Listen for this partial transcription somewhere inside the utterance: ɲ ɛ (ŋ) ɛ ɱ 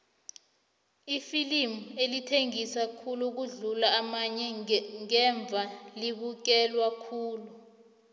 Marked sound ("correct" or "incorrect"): correct